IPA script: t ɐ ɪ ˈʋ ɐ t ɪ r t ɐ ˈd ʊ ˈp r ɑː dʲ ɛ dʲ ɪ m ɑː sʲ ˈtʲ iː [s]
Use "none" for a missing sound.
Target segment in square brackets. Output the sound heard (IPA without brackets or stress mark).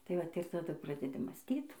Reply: t